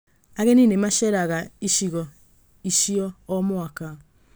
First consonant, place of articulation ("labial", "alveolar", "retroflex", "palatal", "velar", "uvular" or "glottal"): velar